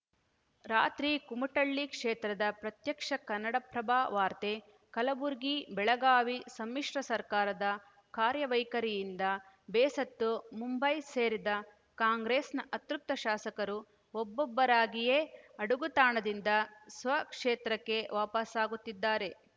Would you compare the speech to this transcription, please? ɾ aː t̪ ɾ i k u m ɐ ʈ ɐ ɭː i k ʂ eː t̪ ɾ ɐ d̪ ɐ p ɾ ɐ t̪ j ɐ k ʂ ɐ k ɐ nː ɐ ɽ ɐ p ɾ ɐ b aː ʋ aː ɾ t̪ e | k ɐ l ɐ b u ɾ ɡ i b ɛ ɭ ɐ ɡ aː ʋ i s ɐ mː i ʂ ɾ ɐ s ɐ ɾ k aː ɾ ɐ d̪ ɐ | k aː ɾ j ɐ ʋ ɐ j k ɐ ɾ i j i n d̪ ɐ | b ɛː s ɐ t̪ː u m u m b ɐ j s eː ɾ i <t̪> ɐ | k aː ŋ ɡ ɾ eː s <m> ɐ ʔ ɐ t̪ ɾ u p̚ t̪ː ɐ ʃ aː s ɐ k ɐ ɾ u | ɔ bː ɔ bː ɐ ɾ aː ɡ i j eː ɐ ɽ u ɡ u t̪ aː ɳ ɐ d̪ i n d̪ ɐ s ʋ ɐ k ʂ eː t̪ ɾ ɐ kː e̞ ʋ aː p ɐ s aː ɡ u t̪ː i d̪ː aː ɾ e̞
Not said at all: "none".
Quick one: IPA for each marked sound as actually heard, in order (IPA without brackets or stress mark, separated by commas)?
d̪, n